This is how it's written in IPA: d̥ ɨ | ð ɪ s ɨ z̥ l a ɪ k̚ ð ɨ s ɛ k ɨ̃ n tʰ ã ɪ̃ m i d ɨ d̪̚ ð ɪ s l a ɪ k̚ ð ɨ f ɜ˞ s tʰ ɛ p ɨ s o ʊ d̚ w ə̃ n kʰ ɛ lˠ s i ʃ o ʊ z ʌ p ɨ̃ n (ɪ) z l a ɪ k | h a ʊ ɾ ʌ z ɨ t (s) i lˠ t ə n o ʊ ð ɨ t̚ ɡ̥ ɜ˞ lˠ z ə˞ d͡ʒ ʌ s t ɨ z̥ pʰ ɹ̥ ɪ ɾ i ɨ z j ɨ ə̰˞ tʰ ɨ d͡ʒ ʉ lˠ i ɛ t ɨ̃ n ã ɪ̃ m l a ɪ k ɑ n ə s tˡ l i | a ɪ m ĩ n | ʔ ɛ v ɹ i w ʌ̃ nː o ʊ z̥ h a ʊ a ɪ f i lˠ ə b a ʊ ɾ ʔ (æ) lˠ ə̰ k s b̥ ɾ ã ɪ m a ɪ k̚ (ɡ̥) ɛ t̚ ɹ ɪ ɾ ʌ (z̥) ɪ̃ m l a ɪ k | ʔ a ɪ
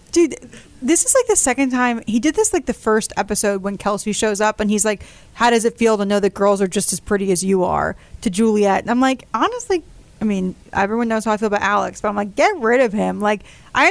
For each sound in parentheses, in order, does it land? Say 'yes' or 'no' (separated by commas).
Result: no, no, yes, yes, no